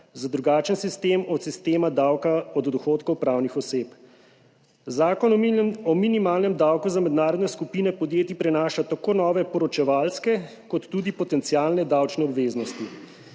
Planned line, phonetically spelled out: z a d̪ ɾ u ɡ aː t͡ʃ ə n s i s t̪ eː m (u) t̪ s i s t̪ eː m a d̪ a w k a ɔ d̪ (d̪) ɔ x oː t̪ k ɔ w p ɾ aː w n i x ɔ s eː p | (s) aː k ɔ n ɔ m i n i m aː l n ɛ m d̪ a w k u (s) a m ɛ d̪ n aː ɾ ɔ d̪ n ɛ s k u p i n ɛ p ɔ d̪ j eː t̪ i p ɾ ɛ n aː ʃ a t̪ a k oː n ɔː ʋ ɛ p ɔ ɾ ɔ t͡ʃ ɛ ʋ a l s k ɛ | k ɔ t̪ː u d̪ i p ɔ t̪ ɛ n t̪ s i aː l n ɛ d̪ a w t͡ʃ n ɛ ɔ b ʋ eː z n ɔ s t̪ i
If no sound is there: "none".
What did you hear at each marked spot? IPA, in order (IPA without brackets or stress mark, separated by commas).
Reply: ɔ, d̪, z, z